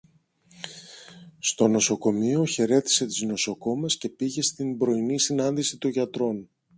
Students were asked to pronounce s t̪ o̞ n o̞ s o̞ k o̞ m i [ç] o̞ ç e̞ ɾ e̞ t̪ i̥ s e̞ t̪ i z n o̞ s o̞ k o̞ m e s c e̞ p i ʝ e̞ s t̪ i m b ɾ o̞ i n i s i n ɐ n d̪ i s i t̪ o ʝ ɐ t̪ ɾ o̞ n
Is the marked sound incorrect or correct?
incorrect